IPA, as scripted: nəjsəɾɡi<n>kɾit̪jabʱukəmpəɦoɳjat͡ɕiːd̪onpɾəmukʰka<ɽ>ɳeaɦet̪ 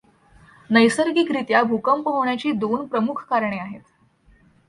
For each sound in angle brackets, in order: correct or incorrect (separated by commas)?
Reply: incorrect, incorrect